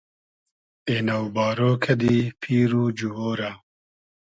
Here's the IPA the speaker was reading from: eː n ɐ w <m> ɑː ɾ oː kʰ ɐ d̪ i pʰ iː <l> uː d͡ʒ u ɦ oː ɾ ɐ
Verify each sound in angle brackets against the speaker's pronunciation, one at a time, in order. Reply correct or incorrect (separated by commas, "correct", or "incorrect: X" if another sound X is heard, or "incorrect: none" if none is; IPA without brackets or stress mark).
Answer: incorrect: b, incorrect: ɾ